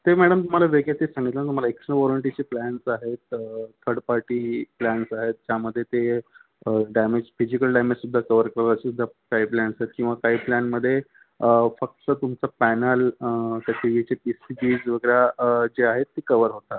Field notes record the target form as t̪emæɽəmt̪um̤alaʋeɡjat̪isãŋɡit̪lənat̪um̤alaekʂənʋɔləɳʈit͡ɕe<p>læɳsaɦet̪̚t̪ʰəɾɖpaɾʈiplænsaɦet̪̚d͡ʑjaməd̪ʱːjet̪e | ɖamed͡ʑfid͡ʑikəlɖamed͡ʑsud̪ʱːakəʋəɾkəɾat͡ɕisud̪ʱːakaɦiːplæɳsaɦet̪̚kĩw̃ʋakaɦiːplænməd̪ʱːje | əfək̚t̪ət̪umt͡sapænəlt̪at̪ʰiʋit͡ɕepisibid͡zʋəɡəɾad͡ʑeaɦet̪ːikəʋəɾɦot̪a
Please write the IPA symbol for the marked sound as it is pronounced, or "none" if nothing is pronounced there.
p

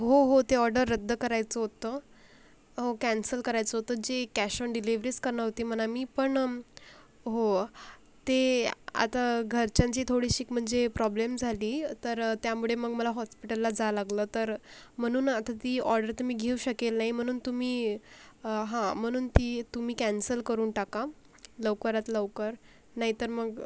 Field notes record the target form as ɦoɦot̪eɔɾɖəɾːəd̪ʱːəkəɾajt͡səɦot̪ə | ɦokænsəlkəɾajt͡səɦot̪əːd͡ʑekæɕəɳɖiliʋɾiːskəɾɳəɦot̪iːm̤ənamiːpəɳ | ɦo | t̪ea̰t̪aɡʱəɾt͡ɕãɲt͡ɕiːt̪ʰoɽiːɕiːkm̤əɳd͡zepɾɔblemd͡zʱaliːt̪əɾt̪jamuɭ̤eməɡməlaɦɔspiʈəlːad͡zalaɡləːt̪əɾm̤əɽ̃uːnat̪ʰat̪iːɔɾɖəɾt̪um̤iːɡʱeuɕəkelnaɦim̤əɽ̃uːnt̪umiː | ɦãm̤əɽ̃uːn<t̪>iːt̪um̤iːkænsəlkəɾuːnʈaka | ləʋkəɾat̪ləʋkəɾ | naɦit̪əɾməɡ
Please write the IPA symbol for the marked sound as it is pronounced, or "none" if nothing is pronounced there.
t̪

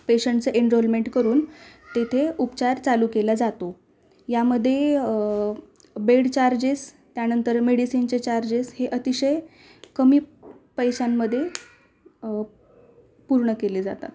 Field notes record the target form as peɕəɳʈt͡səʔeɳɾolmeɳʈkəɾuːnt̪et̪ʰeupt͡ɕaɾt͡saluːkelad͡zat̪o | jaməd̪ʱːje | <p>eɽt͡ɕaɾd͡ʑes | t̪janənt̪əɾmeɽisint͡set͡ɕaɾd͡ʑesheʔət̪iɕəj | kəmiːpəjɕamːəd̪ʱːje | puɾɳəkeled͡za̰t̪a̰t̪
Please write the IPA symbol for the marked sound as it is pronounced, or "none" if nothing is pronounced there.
b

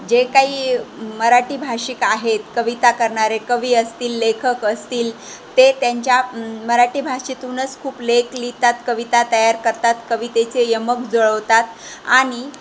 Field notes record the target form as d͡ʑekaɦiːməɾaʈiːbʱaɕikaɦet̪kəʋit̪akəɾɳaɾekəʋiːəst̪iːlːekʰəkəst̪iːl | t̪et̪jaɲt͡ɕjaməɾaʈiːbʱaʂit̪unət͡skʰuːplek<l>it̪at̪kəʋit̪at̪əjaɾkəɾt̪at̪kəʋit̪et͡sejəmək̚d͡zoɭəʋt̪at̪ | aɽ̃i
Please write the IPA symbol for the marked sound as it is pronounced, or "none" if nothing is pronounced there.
l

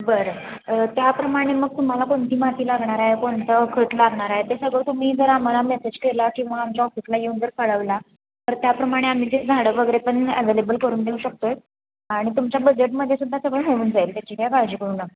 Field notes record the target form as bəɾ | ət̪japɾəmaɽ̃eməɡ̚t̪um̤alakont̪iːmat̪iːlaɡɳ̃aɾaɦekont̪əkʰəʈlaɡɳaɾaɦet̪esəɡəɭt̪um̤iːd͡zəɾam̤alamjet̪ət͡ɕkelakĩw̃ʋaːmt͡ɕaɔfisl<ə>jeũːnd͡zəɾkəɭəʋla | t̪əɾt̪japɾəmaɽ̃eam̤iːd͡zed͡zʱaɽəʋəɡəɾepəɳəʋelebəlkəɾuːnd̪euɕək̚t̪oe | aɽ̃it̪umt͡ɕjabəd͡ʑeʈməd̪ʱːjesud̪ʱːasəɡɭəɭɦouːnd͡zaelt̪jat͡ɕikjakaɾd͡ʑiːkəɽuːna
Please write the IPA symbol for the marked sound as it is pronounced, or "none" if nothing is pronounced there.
a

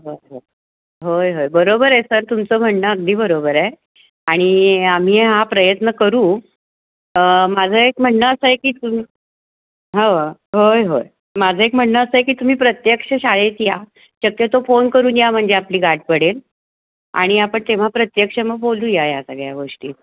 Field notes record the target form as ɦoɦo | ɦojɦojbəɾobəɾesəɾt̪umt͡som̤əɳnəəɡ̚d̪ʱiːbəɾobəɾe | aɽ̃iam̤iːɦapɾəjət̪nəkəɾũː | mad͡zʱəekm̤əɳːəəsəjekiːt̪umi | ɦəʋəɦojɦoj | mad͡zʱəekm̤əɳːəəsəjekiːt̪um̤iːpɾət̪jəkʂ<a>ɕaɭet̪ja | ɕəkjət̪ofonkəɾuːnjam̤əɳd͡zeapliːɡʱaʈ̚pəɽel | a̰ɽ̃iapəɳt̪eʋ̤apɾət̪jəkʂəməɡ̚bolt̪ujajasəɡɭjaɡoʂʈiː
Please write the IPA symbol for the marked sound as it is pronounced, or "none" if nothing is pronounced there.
ə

